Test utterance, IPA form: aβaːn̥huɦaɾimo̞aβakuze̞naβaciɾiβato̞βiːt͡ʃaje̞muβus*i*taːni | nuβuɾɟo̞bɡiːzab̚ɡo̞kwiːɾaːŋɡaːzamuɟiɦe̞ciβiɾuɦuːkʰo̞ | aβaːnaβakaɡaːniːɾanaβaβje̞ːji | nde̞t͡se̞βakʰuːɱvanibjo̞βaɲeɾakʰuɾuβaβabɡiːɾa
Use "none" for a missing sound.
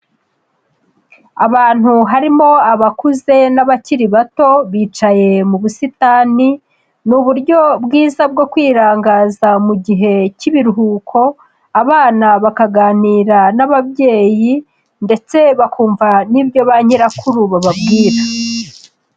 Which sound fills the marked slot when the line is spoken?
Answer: i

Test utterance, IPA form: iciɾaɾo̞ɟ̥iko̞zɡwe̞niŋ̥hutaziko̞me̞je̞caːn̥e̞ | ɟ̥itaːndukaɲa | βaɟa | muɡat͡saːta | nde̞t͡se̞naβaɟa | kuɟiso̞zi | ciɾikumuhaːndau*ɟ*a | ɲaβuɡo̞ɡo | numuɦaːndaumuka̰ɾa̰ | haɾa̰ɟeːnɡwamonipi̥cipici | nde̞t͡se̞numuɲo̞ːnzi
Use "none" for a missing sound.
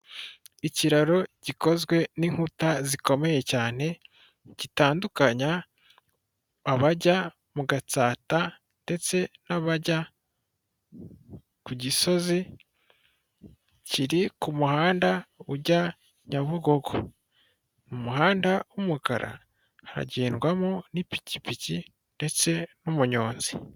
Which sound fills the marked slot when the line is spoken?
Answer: ɟ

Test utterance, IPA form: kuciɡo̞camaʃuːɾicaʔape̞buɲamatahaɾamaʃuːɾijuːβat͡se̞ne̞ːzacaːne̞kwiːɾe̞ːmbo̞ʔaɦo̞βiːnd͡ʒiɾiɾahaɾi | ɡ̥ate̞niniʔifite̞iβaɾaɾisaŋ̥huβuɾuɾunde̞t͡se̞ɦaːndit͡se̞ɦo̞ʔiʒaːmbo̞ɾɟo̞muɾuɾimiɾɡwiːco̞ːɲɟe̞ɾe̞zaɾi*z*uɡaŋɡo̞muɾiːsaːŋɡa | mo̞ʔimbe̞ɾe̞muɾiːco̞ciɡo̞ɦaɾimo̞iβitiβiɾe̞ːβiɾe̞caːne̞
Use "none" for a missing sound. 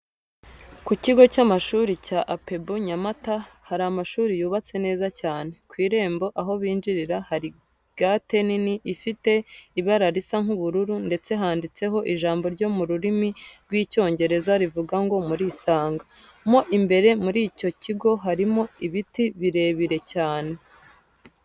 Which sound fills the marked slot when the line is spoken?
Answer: v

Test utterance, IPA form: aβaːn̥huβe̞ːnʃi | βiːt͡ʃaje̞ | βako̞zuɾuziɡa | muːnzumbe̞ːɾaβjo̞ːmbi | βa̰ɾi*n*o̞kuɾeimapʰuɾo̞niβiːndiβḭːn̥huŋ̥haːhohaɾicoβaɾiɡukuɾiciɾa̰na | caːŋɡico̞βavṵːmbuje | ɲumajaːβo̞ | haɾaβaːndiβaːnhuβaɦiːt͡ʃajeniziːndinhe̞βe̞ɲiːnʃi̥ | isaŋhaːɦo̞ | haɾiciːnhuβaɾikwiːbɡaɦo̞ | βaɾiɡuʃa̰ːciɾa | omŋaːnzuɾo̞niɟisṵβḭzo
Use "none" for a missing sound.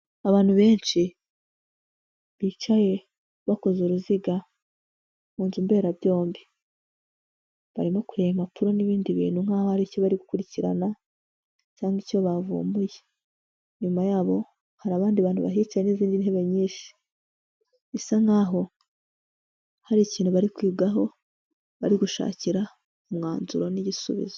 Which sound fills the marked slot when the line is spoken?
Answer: m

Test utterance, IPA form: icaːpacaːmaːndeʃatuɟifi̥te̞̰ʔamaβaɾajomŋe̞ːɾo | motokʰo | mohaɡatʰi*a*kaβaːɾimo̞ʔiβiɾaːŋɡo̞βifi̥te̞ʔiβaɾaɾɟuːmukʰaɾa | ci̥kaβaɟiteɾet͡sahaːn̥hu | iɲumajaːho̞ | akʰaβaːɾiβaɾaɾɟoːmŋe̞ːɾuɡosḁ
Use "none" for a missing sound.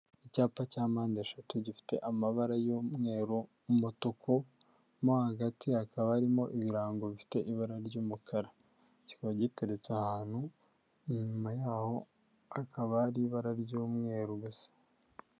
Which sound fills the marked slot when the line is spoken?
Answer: a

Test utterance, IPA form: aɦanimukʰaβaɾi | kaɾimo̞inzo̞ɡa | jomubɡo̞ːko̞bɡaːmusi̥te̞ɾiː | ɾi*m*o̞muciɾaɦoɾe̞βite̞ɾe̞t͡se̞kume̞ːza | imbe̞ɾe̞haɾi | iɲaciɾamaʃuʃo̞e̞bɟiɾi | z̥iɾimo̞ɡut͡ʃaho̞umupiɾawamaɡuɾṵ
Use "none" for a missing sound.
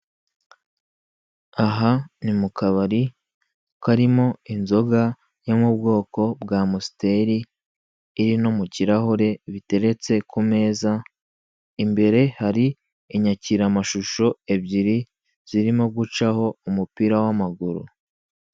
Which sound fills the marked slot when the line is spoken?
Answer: n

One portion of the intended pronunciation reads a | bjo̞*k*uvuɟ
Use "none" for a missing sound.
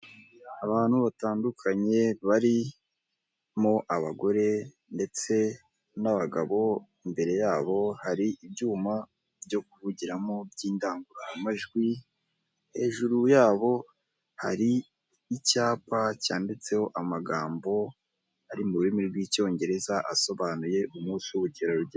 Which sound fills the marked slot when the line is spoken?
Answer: k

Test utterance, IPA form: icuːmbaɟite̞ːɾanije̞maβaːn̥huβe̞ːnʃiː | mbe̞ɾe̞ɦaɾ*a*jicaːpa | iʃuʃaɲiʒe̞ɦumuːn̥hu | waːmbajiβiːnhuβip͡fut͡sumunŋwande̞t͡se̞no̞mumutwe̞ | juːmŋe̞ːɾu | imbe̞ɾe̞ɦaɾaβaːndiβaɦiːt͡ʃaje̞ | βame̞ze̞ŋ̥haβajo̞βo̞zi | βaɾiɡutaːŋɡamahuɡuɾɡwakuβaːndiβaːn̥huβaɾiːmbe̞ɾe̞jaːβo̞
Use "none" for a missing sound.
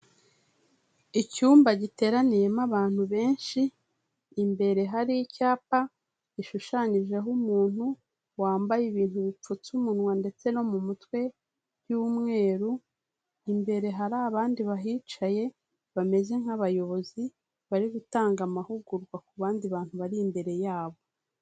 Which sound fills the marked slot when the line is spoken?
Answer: i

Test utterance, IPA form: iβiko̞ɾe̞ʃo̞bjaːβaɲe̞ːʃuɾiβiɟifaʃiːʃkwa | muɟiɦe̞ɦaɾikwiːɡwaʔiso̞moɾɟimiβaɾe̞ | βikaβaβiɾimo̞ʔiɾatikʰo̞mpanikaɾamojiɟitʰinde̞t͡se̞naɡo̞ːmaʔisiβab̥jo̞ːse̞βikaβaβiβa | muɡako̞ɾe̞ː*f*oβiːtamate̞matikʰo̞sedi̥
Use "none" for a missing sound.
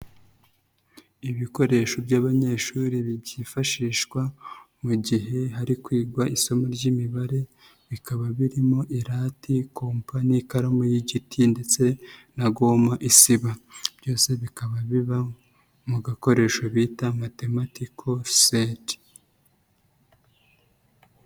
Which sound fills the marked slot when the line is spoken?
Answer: ʃ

